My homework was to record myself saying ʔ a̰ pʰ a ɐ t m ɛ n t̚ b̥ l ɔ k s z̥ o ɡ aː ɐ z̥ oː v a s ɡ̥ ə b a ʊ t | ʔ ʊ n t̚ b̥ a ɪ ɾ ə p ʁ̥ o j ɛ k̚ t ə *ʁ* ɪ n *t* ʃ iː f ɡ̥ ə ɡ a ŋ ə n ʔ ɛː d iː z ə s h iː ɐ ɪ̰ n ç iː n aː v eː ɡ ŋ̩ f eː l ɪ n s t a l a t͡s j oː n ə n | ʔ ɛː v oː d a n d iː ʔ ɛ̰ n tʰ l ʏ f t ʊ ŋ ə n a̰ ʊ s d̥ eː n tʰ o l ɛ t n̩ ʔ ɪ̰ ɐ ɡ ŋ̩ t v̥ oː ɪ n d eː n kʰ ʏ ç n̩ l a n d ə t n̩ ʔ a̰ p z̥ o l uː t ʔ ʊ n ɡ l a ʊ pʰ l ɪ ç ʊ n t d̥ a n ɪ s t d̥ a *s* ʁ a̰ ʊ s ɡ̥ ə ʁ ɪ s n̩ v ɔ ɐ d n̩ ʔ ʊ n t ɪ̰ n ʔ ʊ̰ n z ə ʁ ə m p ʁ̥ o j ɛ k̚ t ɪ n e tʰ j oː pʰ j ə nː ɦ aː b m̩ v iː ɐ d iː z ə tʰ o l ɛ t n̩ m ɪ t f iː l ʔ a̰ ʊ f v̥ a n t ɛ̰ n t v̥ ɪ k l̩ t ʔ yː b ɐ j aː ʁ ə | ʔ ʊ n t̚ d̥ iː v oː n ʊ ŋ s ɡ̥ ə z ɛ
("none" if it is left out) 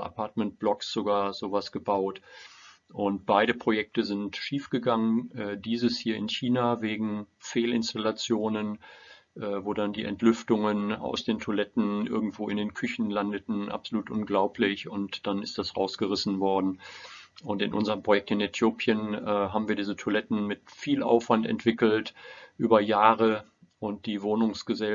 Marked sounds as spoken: z, t, s

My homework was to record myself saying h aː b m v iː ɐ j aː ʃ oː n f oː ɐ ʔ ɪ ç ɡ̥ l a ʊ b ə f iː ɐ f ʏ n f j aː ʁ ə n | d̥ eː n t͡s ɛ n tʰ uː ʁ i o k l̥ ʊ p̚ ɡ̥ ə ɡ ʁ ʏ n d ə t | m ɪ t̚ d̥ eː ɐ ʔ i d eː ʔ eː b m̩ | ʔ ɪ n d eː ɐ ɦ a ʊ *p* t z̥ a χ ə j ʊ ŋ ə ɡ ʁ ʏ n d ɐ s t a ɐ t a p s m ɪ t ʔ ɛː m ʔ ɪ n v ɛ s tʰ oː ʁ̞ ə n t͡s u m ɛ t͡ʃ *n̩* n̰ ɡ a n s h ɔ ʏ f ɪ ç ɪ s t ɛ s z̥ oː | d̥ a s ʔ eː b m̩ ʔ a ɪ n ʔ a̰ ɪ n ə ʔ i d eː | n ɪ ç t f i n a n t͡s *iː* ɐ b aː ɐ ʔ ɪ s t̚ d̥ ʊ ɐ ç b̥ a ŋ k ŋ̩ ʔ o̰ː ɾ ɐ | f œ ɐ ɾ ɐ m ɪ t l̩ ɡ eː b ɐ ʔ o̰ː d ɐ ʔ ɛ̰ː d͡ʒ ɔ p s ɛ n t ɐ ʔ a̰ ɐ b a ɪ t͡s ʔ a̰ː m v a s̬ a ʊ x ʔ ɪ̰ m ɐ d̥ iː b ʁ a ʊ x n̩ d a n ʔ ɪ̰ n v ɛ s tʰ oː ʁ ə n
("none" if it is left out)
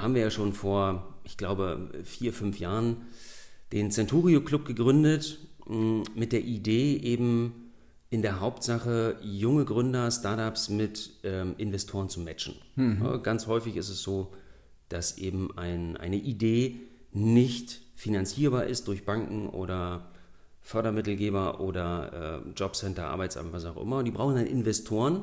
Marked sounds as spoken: p, n̩, iː

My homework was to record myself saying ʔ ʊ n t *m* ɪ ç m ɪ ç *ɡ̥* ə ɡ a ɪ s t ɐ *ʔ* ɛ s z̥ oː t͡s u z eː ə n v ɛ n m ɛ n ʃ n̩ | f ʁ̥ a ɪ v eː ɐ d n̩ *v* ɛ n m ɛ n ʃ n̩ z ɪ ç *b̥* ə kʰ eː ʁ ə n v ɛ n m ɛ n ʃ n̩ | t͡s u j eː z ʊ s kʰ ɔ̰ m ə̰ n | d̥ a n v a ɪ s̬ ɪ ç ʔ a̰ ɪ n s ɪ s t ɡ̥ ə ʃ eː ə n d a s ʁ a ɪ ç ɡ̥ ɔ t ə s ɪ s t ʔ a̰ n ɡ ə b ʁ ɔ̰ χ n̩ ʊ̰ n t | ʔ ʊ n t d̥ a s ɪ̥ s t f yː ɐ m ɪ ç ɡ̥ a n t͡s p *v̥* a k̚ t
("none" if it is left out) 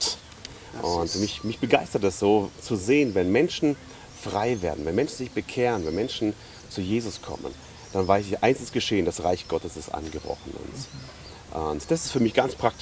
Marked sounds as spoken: m, b̥, t, v, b̥, ʁ̥

